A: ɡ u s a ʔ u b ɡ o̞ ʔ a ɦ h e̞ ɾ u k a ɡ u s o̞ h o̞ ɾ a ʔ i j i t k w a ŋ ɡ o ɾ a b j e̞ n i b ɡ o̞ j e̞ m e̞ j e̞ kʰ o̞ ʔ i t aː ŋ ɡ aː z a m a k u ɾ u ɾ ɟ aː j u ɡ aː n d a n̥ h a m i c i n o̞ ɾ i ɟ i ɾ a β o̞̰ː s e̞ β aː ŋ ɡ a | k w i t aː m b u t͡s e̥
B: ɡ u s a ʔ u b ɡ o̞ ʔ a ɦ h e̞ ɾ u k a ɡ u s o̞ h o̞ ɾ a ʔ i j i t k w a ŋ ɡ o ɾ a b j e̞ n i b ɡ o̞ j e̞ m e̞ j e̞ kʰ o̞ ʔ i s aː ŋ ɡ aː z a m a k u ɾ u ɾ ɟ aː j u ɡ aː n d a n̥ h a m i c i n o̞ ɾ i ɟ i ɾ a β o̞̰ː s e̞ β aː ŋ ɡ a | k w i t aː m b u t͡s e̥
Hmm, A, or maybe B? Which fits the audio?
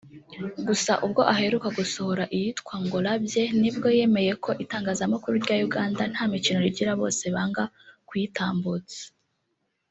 A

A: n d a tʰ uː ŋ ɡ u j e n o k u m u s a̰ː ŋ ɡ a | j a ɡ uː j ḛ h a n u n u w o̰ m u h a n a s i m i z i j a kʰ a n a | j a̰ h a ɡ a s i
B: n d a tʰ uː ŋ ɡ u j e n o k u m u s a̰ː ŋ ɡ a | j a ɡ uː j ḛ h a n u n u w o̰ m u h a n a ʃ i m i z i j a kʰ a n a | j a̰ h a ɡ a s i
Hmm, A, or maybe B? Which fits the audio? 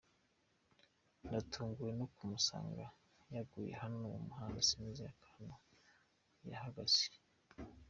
A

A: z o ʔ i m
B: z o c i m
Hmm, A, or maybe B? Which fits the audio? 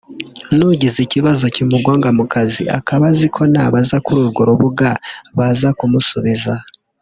B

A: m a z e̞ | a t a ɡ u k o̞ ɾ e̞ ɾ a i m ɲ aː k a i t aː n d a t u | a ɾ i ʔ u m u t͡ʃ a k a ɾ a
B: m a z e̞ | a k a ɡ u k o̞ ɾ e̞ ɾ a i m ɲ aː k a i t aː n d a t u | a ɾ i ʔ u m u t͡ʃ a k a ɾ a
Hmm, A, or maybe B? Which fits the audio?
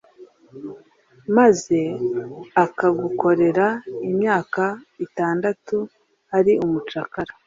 B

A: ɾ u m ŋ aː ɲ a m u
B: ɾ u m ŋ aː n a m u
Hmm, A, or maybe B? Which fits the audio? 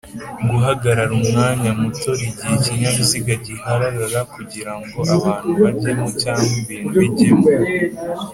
A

